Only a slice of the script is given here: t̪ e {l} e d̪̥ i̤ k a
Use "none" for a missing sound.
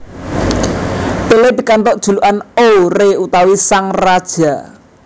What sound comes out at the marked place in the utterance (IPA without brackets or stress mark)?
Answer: l